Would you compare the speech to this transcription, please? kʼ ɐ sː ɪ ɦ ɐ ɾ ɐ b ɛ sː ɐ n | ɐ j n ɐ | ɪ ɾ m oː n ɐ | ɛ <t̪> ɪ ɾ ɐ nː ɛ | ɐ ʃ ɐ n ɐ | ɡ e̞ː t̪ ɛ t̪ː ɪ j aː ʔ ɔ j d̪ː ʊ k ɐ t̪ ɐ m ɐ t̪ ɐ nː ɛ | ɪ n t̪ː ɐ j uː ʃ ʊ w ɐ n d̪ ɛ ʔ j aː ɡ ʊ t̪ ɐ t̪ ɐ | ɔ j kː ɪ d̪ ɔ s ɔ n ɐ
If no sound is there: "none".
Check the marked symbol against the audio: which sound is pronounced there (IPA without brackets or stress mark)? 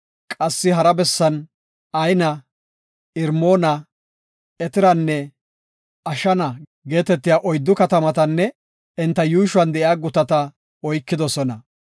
t̪